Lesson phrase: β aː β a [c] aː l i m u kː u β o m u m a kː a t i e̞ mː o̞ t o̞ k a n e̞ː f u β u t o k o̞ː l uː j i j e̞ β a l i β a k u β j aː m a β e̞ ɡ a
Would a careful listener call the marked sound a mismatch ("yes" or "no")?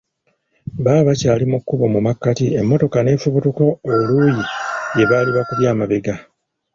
no